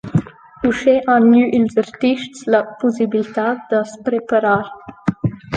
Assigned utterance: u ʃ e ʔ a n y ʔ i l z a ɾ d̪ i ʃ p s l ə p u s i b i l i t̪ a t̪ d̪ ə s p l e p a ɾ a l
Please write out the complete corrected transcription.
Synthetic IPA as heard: u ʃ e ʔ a n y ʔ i l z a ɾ t̪ i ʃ t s l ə p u s i b i l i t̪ a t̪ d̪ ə s p ɾ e p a ɾ a ɾ